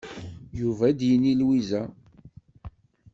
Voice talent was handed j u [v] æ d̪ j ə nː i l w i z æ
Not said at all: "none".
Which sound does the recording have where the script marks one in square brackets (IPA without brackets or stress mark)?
v